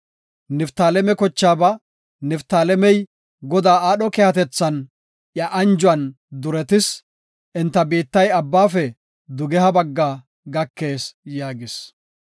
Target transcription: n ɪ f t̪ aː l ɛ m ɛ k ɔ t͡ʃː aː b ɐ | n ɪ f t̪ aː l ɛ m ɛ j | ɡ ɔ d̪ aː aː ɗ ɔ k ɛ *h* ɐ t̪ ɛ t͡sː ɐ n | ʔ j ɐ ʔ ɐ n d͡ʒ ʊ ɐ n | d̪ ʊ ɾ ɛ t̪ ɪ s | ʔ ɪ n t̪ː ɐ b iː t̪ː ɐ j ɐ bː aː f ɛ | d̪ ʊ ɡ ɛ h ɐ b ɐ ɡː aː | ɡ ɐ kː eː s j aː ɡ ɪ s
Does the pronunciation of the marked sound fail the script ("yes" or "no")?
no